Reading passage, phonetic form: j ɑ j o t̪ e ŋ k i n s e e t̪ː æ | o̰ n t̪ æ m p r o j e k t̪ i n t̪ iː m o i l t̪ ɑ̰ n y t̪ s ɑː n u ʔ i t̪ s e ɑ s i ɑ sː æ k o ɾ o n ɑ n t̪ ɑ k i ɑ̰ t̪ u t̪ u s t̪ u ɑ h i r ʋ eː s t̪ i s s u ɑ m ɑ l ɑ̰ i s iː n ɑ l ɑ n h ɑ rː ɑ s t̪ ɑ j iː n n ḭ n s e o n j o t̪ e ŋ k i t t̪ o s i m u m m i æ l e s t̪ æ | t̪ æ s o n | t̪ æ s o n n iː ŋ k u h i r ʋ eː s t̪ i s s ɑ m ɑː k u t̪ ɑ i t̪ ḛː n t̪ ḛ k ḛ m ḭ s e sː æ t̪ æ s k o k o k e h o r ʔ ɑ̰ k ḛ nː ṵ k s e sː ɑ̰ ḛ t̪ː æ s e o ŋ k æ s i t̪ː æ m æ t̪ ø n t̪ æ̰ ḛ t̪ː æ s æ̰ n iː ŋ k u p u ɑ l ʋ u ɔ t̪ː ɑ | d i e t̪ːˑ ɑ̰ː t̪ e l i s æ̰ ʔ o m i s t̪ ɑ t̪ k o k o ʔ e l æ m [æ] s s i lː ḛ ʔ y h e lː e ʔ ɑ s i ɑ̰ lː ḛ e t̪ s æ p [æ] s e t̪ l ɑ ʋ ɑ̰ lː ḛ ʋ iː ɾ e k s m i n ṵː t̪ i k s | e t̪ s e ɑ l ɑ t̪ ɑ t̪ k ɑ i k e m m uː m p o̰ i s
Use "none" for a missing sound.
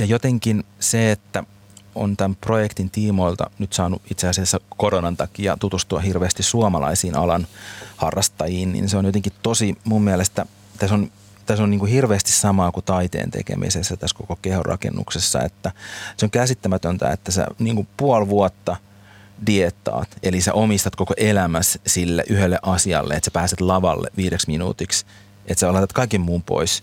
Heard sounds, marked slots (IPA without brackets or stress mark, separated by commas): æ, æː